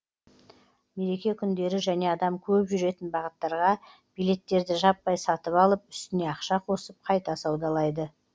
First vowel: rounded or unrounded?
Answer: unrounded